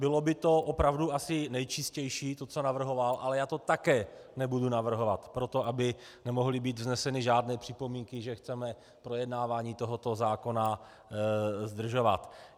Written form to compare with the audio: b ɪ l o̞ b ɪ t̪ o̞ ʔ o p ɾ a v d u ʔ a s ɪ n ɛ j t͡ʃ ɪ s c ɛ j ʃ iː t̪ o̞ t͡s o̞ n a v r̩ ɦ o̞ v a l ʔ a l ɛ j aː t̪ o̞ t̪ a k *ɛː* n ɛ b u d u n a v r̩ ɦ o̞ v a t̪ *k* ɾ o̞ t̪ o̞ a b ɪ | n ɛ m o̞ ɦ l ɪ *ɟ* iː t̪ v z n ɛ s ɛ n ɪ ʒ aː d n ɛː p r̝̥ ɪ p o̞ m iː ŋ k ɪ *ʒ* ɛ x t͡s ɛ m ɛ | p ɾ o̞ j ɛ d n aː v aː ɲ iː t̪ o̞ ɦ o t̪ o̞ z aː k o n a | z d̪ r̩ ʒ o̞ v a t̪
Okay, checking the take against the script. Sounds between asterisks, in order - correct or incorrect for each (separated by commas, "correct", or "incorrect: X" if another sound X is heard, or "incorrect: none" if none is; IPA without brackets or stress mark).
correct, incorrect: p, incorrect: b, correct